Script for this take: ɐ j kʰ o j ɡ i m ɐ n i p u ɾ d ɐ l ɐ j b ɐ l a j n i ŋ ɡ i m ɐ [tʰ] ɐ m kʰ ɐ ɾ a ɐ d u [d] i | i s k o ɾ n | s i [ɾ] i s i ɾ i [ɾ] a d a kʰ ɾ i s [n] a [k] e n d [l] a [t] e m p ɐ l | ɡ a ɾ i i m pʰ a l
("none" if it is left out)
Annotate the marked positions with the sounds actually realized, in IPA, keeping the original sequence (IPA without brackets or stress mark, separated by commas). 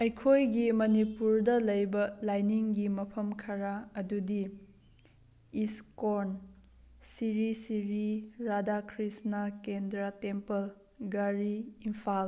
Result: pʰ, d, ɾ, ɾ, n, k, ɾ, t